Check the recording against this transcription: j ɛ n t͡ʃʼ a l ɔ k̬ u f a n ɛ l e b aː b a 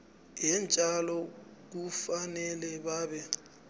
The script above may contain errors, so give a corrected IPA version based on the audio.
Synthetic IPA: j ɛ n t͡ʃʼ a l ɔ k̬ u f a n ɛ l ɛ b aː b ɛ